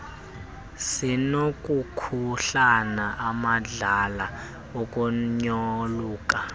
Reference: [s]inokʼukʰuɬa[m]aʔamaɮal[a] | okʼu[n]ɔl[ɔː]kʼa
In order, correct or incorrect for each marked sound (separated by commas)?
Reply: correct, incorrect, correct, incorrect, incorrect